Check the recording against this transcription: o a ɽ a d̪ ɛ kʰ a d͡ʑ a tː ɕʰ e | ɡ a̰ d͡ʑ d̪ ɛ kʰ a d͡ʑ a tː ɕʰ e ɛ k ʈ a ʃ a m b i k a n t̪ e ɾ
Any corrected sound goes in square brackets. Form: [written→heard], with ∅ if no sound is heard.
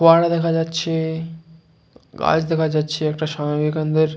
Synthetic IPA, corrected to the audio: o a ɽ a d̪ ɛ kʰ a d͡ʑ a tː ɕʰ e | ɡ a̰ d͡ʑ d̪ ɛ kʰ a d͡ʑ a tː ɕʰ e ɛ k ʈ a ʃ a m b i k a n [t̪→d̪] e ɾ